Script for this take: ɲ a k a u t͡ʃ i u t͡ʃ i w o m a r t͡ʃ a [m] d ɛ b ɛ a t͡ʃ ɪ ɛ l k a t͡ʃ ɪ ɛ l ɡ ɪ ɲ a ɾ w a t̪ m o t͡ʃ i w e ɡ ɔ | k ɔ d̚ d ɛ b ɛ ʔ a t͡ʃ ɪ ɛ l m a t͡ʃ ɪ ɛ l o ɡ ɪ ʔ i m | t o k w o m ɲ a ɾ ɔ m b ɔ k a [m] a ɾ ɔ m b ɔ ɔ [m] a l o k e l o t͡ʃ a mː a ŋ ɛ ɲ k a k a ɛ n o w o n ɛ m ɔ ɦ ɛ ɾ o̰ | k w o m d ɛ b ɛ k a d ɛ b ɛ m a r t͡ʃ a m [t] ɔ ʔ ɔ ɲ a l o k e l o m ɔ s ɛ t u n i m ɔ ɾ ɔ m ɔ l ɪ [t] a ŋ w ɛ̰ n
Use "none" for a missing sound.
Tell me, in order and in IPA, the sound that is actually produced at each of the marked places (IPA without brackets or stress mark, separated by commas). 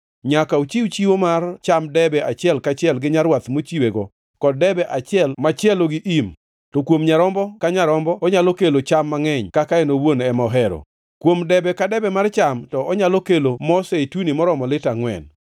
m, ɲ, ɲ, t, t